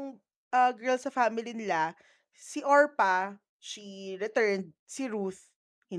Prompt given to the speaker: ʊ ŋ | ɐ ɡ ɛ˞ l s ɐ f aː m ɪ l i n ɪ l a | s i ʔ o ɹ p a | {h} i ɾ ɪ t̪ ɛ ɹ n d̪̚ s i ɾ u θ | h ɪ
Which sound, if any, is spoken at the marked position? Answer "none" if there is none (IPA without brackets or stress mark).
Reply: ʃ